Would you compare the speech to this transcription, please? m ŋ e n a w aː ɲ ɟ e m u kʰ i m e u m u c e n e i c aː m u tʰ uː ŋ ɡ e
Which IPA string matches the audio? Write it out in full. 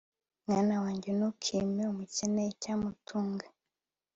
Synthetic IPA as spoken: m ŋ a n a w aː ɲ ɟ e n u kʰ i m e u m u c e n e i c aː m u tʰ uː ŋ ɡ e